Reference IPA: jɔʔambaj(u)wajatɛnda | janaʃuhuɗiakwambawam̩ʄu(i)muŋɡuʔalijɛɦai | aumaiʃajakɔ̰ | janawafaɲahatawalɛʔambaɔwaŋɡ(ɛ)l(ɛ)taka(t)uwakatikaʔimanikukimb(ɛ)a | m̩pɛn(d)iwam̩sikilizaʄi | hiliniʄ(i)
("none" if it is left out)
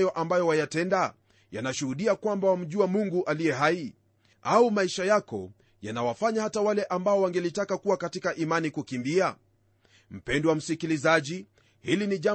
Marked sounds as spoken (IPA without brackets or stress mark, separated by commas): ɔ, a, ɛ, i, k, i, d, a